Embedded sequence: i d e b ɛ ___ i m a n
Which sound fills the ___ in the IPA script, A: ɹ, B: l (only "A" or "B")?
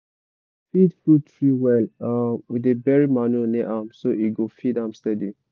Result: A